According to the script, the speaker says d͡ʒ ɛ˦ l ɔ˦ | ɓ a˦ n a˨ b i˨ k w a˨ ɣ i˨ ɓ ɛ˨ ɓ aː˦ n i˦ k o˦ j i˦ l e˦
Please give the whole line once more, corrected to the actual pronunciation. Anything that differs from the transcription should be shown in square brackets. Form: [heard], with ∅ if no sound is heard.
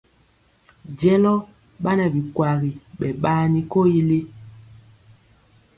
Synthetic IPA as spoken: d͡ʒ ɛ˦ l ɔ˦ | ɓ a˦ n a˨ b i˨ k w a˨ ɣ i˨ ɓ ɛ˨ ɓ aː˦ n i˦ k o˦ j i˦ l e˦